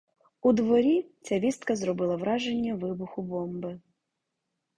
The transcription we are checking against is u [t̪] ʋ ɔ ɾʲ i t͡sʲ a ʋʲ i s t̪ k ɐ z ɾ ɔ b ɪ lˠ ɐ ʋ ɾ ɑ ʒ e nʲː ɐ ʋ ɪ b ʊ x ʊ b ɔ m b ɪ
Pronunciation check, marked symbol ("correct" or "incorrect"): incorrect